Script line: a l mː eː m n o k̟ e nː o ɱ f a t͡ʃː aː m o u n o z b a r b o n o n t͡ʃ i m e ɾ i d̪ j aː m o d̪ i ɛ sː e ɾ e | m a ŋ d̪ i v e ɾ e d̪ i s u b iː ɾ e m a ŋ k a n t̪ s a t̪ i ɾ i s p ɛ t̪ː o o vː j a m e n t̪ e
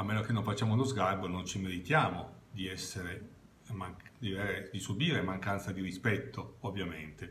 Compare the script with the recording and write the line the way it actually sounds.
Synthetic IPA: a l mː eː n o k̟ e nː o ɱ f a t͡ʃː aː m o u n o z ɡ a r b o n o n t͡ʃ i m e ɾ i t̪ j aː m o d̪ i ɛ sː e ɾ e | m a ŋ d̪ i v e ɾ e d̪ i s u b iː ɾ e m a ŋ k a n t̪ s a d̪ i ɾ i s p ɛ t̪ː o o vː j a m e n t̪ e